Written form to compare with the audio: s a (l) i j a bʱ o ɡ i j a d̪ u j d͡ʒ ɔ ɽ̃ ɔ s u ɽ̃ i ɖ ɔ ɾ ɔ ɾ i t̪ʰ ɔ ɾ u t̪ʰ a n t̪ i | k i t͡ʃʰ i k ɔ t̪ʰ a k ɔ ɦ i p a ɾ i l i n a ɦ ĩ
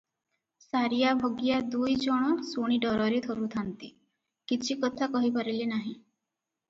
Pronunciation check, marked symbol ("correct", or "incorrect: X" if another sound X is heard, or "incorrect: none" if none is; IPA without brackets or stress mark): incorrect: ɾ